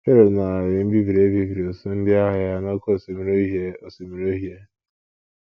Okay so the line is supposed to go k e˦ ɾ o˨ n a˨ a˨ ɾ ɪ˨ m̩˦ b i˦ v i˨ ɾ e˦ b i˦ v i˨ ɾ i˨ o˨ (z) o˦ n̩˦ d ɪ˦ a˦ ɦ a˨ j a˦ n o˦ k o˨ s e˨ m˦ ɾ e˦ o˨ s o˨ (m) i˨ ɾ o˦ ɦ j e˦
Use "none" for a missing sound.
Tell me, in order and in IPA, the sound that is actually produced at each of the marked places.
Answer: s, m

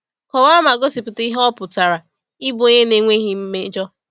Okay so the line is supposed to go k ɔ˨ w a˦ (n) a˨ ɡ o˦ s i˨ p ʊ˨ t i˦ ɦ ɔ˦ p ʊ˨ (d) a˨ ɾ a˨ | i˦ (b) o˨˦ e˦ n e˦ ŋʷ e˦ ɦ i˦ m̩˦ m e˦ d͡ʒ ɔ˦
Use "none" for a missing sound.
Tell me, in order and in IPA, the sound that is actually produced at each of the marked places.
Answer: m, t, b

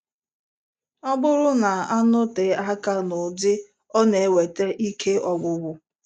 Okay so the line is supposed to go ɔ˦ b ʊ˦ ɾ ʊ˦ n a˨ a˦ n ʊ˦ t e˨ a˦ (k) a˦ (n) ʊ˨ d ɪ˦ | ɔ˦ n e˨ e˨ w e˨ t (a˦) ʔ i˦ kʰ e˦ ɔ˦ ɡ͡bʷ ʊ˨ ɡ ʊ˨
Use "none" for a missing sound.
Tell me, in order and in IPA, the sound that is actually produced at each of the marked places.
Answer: k, n, e˦

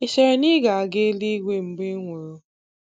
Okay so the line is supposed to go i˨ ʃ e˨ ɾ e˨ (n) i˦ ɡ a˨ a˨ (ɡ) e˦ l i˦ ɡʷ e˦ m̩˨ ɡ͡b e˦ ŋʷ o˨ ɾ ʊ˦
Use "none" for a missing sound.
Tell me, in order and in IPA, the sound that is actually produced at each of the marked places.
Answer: n, ɡ

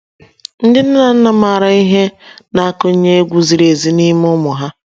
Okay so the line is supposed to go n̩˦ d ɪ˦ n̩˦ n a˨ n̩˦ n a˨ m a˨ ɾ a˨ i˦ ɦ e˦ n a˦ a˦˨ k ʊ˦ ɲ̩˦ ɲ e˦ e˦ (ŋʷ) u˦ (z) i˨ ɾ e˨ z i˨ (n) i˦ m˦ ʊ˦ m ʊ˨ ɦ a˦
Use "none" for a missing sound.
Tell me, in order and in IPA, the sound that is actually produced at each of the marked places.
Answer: ɡʷ, z, n

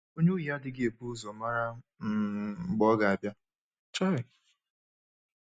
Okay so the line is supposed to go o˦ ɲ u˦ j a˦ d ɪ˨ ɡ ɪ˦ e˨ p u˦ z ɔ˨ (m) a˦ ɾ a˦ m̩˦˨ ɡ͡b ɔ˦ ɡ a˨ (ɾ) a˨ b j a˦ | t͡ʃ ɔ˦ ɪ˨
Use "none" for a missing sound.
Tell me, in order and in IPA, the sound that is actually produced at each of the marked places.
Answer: m, none

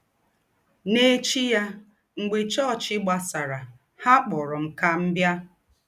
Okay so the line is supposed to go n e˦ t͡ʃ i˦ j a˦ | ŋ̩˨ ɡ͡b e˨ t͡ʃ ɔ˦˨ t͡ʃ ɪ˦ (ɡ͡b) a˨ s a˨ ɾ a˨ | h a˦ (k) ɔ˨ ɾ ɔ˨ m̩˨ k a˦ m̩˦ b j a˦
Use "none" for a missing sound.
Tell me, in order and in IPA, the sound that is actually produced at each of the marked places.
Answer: ɡ͡b, k͡p

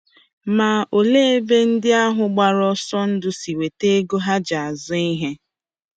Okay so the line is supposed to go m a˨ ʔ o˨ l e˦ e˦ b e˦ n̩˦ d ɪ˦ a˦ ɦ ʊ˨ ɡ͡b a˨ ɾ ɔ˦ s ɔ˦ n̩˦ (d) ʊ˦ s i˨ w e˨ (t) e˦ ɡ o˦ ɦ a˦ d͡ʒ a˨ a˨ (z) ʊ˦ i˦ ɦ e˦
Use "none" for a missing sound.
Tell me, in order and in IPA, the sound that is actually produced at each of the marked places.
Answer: d, t, z

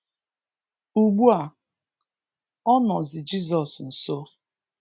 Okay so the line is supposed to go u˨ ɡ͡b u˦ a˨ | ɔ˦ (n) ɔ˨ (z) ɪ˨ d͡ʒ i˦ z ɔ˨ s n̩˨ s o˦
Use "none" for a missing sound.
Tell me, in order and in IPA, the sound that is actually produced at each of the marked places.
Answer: n, z

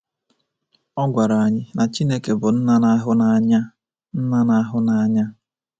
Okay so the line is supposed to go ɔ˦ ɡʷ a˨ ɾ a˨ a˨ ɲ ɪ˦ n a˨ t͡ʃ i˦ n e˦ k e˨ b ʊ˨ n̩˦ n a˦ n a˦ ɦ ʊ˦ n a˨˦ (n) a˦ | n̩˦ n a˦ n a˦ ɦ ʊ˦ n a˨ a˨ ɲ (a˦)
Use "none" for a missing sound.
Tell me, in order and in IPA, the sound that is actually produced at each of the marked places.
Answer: ɲ, a˦

